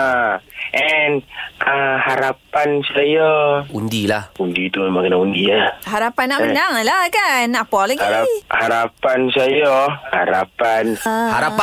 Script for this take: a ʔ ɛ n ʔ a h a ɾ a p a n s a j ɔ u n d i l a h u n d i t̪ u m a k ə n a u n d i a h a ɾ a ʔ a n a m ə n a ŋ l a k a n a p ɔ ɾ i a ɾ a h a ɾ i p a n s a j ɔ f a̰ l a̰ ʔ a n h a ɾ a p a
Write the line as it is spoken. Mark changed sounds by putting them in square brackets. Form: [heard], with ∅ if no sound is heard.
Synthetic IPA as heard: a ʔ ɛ n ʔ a h a ɾ a p a n s a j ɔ u n d i l a h u n d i t̪ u m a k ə n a u n d i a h a ɾ a [p] a n a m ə n a ŋ l a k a n a p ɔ [l] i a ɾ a h a ɾ [a] p a n s a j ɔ [h] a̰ [ɾ] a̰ [p] a n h a ɾ a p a